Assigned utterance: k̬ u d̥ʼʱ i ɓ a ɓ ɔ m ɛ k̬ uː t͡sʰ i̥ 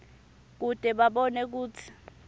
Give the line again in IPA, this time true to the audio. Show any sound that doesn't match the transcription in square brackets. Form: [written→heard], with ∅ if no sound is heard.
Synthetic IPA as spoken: k̬ u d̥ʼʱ [i→ɛ] ɓ a ɓ ɔ [m→n] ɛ k̬ uː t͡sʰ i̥

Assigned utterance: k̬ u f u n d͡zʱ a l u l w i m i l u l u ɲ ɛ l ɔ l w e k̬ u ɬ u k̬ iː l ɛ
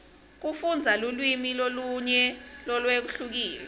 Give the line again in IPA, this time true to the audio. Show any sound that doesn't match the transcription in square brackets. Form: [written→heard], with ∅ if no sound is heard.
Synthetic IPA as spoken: k̬ u f u n d͡zʱ a l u l w i m i l [u→o] l u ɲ ɛ l ɔ l w e k̬ u ɬ u k̬ iː l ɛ

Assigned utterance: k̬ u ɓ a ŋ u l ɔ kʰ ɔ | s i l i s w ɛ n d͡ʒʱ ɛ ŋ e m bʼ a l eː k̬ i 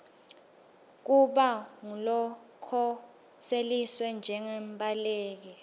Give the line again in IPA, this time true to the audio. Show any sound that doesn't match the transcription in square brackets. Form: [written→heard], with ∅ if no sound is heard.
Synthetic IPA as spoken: k̬ u ɓ a ŋ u l ɔ kʰ ɔ | s [i→e] l i s w ɛ n d͡ʒʱ ɛ ŋ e m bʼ a l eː k̬ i

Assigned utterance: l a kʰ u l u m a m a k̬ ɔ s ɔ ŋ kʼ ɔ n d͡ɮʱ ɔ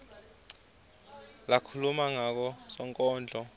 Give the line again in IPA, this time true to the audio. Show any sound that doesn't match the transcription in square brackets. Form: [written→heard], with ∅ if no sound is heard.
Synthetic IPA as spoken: l a kʰ u l u m a [m→ŋ] a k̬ ɔ s ɔ ŋ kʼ [ɔ→ɔː] n d͡ɮʱ ɔ

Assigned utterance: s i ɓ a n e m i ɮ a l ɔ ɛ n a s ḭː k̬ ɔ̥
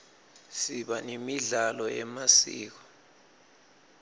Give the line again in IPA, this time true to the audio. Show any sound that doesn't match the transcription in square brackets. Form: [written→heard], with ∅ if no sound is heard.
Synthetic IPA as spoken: s i ɓ a n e m i ɮ a l ɔ ɛ [n→m] a s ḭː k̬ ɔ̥

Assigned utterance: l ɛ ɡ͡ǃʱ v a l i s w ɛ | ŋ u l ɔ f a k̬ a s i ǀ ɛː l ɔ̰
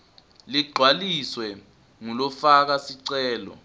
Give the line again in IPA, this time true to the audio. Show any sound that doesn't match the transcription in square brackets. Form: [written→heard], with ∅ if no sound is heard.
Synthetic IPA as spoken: l [ɛ→i] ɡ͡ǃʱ [v→w] a l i s w ɛ | ŋ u l ɔ f a k̬ a s i ǀ ɛː l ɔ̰

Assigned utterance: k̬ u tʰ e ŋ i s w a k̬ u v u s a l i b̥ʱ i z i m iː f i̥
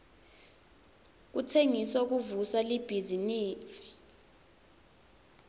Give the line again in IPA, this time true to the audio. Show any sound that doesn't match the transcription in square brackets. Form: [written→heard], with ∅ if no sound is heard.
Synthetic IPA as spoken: k̬ u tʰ e ŋ i s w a k̬ u v u s a l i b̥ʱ i z i [m→n] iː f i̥

